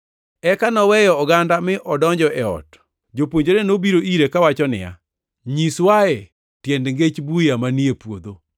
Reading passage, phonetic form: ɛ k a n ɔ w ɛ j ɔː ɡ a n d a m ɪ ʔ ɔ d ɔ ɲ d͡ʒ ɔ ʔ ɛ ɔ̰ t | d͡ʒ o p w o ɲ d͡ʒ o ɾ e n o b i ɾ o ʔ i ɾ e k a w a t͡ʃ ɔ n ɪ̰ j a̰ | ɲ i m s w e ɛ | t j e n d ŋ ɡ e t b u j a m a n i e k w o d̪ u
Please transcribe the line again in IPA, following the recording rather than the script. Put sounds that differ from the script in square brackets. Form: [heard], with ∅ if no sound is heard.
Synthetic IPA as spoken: ɛ k a n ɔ w ɛ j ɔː ɡ a n d a m ɪ ʔ ɔ d ɔ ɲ d͡ʒ ɔ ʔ ɛ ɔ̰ t | d͡ʒ o p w o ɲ d͡ʒ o ɾ e n o b i ɾ o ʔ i ɾ e k a w a t͡ʃ ɔ n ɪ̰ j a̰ | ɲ i [∅] s w [a] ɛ | t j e n d ŋ ɡ e [t͡ʃ] b u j a m a n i e [p] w o d̪ [o]